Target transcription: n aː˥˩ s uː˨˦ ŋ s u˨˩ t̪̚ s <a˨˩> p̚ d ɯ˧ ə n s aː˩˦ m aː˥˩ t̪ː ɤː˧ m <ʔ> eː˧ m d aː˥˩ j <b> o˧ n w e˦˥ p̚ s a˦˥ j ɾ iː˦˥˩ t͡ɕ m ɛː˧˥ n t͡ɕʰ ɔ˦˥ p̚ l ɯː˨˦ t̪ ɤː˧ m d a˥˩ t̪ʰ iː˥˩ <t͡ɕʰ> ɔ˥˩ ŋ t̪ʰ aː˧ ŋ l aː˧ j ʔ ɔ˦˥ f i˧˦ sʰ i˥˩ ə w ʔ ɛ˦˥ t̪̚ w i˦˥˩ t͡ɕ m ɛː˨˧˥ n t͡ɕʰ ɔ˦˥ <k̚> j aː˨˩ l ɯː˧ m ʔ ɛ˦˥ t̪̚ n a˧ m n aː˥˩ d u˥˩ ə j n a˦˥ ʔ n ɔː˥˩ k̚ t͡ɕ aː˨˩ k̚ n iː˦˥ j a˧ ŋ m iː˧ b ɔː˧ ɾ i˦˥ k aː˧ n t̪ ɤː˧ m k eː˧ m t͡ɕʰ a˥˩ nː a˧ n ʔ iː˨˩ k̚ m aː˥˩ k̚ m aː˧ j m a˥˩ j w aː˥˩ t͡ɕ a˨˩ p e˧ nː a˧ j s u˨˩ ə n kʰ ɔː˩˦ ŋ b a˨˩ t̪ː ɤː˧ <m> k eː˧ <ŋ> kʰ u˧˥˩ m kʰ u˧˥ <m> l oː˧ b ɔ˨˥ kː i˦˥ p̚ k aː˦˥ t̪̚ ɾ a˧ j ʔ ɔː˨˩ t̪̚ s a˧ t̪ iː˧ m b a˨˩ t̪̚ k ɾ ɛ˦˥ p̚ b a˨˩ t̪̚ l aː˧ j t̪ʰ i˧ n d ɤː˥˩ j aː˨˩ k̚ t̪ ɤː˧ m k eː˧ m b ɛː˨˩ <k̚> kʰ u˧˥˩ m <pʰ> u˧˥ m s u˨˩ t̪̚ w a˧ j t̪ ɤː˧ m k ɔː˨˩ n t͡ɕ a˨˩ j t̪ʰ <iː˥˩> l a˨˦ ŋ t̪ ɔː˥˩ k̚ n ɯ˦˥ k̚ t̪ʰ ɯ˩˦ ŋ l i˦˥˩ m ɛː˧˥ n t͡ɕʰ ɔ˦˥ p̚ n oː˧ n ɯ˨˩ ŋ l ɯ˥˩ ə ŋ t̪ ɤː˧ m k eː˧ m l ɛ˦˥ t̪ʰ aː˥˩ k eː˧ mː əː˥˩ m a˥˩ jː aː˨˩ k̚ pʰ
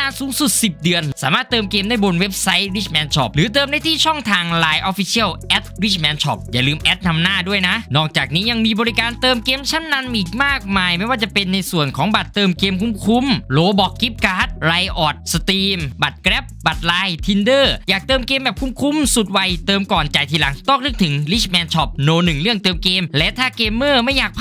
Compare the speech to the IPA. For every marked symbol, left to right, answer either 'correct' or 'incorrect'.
incorrect: i˨˩, incorrect: k, correct, correct, incorrect: p̚, correct, incorrect: m, correct, incorrect: p̚, incorrect: kʰ, incorrect: iː˧

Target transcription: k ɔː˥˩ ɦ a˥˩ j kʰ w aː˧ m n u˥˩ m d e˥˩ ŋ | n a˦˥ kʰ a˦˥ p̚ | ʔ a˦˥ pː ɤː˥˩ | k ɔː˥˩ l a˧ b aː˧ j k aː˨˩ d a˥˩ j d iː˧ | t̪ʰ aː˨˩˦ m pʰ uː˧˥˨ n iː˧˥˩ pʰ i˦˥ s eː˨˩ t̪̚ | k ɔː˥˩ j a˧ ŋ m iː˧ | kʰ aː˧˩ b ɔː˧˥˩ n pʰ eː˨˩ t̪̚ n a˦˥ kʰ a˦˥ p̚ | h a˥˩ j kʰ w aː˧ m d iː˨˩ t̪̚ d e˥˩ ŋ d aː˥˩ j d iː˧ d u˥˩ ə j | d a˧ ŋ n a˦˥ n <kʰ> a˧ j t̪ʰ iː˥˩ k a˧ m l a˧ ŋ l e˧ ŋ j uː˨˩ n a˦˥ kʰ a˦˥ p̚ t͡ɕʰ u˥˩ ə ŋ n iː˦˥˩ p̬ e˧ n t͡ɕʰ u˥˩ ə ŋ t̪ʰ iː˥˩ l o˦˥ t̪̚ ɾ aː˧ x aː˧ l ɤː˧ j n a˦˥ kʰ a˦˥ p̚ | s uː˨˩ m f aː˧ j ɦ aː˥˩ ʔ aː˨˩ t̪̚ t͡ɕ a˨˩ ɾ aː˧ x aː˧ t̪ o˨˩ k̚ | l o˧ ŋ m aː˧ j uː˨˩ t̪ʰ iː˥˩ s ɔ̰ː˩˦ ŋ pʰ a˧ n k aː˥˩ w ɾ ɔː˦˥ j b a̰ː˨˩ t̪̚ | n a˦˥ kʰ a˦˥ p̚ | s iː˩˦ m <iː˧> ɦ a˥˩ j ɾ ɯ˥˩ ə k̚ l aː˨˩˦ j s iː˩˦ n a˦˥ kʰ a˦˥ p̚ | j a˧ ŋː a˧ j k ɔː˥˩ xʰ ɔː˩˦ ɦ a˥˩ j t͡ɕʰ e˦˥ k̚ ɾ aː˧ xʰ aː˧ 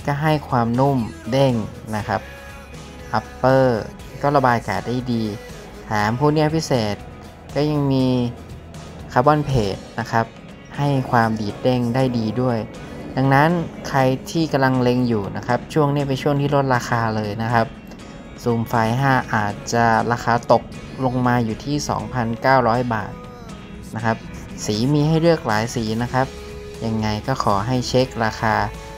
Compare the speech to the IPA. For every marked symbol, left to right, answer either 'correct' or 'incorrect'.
correct, correct

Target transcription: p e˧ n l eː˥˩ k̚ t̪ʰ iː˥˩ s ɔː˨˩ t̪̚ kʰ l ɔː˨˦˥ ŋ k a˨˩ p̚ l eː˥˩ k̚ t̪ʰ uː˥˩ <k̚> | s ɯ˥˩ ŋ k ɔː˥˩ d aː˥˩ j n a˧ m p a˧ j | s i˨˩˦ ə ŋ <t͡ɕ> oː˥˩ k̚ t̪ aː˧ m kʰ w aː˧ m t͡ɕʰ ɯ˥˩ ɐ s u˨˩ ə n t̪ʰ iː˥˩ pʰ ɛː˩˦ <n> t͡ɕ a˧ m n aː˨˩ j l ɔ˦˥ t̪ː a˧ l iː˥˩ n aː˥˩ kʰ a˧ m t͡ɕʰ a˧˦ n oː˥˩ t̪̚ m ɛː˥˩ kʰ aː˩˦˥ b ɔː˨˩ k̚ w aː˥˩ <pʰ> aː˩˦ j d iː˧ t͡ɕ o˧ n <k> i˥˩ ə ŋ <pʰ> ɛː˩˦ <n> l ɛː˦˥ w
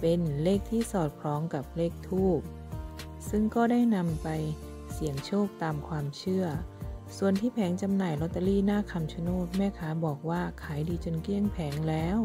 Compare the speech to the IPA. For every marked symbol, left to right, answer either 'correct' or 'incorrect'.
incorrect: p̚, incorrect: t͡ɕʰ, incorrect: ŋ, incorrect: kʰ, correct, correct, incorrect: ŋ

